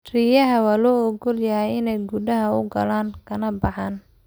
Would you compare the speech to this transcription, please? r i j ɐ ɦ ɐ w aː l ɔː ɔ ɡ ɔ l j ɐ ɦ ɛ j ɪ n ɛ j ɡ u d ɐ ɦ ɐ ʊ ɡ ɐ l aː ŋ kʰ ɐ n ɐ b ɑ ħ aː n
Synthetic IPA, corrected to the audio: r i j ɐ ɦ ɐ w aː l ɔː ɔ ɡ ɔ l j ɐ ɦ ɛ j ɪ n ɛ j ɡ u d ɐ ɦ ɐ ʊ ɡ ɐ l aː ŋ kʰ ɐ n ɐ b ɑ ħ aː n